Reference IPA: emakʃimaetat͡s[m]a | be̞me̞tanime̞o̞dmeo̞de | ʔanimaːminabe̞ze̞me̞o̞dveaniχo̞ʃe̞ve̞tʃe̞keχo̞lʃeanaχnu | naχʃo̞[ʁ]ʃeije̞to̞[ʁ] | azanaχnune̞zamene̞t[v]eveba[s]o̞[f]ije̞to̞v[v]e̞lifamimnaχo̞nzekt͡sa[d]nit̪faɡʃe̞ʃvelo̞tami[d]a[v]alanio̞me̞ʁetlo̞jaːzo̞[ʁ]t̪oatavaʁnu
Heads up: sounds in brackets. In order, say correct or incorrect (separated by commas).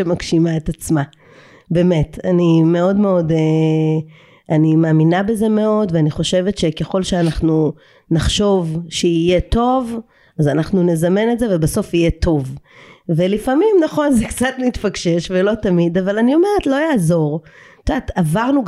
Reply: correct, incorrect, incorrect, incorrect, correct, correct, correct, incorrect, correct, correct, correct